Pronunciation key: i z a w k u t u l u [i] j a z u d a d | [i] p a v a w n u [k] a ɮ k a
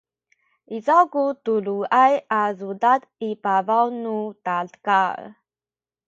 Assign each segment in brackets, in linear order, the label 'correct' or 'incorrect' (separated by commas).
incorrect, correct, incorrect